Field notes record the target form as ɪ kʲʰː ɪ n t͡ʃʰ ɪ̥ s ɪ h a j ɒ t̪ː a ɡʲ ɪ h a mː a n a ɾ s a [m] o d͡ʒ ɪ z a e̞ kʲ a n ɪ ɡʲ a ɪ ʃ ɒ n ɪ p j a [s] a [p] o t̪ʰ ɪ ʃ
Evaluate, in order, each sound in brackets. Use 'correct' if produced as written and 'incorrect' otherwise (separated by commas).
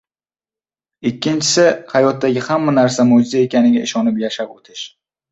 correct, incorrect, correct